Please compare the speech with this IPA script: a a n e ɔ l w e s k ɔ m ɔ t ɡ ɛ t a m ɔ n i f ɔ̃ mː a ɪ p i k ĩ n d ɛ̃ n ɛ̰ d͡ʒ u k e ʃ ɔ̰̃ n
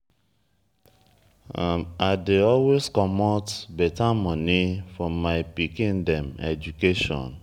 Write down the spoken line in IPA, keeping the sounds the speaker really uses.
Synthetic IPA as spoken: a a d e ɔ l w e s k ɔ m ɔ t b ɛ t a m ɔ n i f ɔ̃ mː a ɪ p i k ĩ n d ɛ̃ m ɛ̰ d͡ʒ u k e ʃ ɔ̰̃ n

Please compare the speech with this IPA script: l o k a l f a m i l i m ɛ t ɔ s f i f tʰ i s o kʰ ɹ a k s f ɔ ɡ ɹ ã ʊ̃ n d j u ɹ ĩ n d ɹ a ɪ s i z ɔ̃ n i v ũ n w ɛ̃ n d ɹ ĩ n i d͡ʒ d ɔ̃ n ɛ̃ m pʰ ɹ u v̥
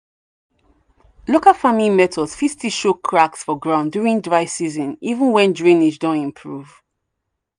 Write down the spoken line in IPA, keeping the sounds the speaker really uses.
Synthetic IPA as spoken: l o k a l f a m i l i m ɛ t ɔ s f i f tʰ i ʃ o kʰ ɹ a k s f ɔ ɡ ɹ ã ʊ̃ n d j u ɹ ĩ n d ɹ a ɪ s i z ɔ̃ n i v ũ n w ɛ̃ n d ɹ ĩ n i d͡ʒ d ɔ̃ n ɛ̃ m pʰ ɹ u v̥

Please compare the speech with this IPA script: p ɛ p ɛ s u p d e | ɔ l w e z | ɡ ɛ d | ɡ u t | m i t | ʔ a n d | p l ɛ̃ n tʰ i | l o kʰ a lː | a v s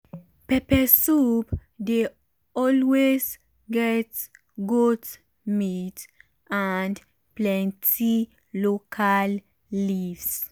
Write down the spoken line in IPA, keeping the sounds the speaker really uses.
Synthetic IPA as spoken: p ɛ p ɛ s u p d e | ɔ l w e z | ɡ ɛ t | ɡ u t | m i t | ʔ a n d | p l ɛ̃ n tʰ i | l o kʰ a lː | i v s

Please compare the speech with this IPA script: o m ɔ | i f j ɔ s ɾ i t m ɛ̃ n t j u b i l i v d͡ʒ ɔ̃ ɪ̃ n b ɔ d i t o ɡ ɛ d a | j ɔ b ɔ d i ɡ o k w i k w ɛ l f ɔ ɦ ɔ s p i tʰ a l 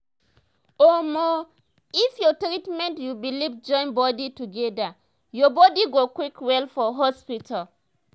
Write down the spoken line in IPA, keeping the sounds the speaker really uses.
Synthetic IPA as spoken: o m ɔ | i f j ɔ t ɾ i t m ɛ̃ n t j u b i l i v d͡ʒ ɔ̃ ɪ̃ n b ɔ d i t u ɡ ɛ d a | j ɔ b ɔ d i ɡ o k w i k w ɛ l f ɔ ɦ ɔ s p i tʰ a l

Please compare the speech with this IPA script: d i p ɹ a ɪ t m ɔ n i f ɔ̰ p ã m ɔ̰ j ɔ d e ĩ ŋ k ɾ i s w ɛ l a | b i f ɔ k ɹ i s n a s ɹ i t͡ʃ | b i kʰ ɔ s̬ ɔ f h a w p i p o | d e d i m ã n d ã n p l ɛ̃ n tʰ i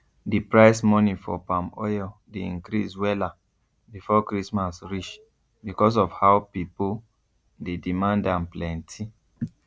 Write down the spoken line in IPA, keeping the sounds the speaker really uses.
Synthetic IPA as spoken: d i p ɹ a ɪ s m ɔ n i f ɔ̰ p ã m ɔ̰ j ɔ d e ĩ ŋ k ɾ i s w ɛ l a | b i f ɔ k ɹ i s m a s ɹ i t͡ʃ | b i k ɔ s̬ ɔ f h a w p i p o | d e d i m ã n d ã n p l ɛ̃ n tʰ i

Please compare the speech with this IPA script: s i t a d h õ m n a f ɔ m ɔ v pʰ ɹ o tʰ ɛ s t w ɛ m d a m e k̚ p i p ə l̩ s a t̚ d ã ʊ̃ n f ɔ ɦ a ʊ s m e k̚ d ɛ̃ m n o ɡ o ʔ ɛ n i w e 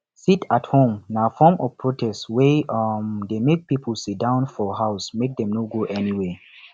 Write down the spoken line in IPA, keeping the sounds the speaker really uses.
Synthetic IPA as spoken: s i t a t h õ m n a f ɔ m ɔ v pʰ ɹ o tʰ ɛ s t w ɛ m d e m e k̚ p i p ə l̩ s i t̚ d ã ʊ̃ n f ɔ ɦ a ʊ s m e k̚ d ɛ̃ m n o ɡ o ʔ ɛ n i w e

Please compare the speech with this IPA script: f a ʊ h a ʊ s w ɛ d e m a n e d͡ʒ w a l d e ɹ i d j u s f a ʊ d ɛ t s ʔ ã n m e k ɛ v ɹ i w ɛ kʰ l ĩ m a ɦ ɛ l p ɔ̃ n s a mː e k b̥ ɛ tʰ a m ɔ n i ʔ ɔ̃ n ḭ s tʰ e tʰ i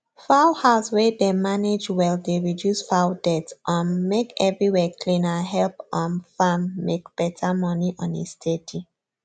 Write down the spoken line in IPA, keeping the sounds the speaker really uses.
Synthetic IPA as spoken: f a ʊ h a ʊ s w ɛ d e m a n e d͡ʒ w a l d e ɹ i d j u s f a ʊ d ɛ t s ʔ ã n m e k ɛ v ɹ i w ɛ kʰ l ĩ n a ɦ ɛ l p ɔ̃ n f a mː e k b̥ ɛ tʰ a m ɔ n i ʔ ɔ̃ n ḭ s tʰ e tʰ i

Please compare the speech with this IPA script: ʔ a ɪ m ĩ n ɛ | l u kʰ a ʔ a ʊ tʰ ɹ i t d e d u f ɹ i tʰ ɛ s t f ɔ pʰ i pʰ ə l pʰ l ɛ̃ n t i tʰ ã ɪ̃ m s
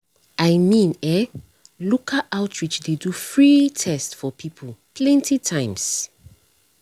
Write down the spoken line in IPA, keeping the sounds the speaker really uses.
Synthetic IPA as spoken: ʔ a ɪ m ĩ n ɛ | l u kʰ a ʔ a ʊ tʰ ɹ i t͡ʃ d e d u f ɹ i tʰ ɛ s t f ɔ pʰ i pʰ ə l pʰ l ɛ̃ n t i tʰ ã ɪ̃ m s

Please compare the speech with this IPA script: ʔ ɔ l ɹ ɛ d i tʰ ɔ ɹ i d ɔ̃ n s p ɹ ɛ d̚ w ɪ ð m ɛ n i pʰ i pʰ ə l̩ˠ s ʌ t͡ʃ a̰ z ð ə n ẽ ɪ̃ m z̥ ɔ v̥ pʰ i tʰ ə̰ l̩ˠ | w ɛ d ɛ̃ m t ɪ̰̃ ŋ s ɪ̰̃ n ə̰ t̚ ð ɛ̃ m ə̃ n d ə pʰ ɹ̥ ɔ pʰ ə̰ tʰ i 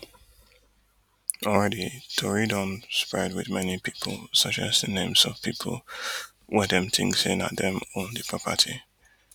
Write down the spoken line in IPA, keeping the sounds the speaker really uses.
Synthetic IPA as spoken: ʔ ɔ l ɹ ɛ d i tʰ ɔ ɹ i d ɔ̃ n s p ɹ ɛ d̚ w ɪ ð m ɛ n i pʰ i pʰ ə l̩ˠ s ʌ t͡ʃ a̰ z ð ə n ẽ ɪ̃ m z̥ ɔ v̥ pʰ i pʰ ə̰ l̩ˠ | w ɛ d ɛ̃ m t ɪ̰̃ ŋ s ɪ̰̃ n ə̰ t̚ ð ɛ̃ m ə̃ n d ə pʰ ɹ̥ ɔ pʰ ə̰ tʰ i

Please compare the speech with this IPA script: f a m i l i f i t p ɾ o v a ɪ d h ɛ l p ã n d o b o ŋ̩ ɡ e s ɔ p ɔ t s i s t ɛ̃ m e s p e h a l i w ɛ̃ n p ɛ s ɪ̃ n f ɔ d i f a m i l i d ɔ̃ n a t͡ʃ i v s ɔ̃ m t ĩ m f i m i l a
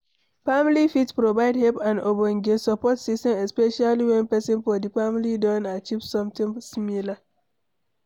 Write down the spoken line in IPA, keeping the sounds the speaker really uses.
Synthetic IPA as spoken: f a m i l i f i t p ɾ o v a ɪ d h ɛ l p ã n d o b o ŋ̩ ɡ e s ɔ p ɔ t s i s t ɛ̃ m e s p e ʃ a l i w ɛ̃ n p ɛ s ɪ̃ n f ɔ d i f a m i l i d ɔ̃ n a t͡ʃ i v s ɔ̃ m t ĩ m s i m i l a

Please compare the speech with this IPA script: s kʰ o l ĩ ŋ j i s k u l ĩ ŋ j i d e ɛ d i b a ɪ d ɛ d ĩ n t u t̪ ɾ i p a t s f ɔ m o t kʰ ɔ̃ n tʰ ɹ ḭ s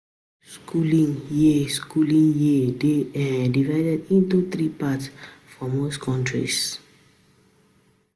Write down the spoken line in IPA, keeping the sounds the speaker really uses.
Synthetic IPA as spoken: s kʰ u l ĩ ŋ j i s k u l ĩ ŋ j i d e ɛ d i v a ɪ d ɛ d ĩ n t u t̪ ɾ i p a t s f ɔ m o s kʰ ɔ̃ n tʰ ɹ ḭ s

